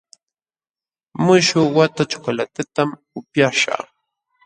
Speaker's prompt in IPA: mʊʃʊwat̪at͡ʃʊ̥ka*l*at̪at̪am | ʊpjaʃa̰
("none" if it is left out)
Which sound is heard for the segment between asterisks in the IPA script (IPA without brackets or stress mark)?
l